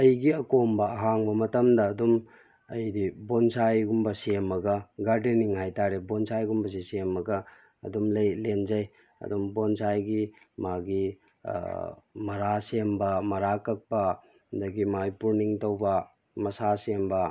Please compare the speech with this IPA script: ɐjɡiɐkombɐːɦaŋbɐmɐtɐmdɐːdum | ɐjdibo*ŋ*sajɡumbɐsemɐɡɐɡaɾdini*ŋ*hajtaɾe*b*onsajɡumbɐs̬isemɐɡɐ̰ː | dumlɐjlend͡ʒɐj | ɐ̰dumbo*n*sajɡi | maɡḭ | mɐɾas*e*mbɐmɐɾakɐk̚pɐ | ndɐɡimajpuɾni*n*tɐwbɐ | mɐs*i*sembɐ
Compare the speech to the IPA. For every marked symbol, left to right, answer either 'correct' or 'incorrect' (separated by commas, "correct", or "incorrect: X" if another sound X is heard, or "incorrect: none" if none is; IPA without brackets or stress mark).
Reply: incorrect: n, correct, correct, correct, correct, incorrect: ŋ, incorrect: a